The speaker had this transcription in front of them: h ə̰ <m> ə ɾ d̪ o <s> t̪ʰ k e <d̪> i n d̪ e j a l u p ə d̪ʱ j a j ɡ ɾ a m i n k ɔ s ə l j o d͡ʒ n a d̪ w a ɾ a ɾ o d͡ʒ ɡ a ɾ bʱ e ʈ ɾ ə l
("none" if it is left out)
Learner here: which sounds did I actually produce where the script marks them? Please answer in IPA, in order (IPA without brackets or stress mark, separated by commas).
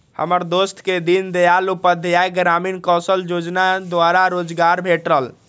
m, s, d̪